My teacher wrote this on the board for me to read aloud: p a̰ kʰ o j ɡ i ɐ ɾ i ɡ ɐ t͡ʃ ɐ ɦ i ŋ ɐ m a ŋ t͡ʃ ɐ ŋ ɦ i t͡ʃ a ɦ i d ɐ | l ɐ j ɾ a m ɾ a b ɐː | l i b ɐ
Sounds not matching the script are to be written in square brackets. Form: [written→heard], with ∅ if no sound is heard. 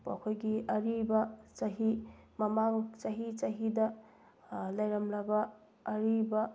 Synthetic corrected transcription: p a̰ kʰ o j ɡ i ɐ ɾ i [ɡ→b] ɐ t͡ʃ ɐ ɦ i [ŋ→m] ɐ m a ŋ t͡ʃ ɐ [ŋ→∅] ɦ i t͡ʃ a ɦ i d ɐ | l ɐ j ɾ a m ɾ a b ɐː | [l→ɾ] i b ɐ